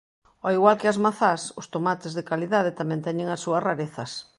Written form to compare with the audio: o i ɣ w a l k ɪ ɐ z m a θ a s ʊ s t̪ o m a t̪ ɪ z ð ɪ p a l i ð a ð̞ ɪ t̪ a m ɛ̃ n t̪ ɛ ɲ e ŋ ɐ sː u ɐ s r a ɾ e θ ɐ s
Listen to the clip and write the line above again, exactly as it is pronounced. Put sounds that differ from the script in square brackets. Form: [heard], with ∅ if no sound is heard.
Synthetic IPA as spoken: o i ɣ w a l k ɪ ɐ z m a θ a s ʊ s t̪ o m a t̪ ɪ z ð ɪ [k] a l i ð a ð̞ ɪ t̪ a m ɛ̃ n t̪ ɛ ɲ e ŋ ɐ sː u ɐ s r a ɾ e θ ɐ s